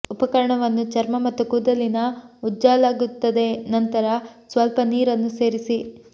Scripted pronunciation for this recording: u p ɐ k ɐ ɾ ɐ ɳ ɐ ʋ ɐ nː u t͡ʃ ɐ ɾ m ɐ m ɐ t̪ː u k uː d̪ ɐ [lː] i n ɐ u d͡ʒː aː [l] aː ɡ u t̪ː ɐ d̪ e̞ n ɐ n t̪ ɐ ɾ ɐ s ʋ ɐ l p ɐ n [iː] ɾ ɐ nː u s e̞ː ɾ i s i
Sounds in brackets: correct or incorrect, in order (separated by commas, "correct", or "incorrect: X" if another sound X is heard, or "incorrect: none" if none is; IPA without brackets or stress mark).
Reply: incorrect: l, correct, correct